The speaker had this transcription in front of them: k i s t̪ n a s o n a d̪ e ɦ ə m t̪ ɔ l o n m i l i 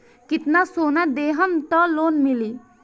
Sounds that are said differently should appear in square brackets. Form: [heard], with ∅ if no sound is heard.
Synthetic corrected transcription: k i [∅] t̪ n a s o n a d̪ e ɦ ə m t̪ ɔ l o n m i l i